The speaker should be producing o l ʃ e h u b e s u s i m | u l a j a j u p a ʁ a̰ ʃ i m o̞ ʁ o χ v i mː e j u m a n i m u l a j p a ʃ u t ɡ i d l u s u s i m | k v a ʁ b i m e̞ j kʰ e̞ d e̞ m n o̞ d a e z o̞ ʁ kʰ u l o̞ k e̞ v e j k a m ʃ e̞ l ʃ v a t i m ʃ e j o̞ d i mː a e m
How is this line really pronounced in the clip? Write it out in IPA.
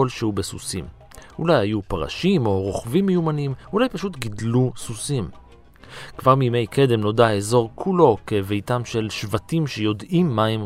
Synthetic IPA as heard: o l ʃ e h u b e s u s i m | u l a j a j u p a ʁ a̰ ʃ i m o̞ ʁ o χ v i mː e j u m a n i m u l a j p a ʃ u t ɡ i d l u s u s i m | k v a ʁ m i m e̞ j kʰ e̞ d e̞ m n o̞ d a e z o̞ ʁ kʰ u l o̞ k e̞ v e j t a m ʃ e̞ l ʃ v a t i m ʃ e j o̞ d i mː a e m